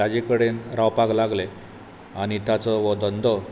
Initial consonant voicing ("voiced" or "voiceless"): voiced